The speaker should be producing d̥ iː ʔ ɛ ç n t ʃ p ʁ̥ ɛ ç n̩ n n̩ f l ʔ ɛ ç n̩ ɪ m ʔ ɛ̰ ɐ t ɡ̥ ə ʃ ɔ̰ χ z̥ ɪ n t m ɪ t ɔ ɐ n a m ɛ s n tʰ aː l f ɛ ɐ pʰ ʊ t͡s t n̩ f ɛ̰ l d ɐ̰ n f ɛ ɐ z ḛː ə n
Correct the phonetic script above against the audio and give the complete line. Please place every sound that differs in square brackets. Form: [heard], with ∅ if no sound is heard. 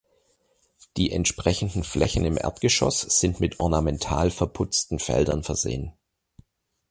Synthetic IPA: d̥ iː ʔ ɛ [∅] n t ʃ p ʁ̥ ɛ ç n̩ [d] n̩ f l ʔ ɛ ç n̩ ɪ m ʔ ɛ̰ ɐ t ɡ̥ ə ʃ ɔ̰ [s] z̥ ɪ n t m ɪ t ɔ ɐ n a m ɛ [∅] n tʰ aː l f ɛ ɐ pʰ ʊ t͡s t n̩ f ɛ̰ l d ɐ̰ n f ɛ ɐ z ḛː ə n